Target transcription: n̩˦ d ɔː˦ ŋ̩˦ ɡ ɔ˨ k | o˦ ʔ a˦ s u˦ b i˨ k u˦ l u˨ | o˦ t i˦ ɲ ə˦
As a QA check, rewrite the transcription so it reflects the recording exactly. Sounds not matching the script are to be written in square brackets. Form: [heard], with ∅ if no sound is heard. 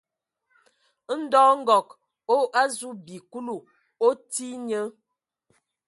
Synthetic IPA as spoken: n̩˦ d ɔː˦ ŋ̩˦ ɡ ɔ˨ k | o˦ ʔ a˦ [z] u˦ b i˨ k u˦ l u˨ | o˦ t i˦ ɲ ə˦